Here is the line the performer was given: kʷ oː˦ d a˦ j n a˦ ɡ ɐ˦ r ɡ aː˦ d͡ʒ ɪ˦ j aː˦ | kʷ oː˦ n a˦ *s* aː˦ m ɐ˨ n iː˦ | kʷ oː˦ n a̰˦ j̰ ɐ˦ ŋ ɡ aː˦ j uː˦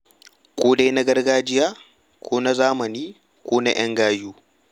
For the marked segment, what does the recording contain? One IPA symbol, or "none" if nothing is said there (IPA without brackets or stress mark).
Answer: z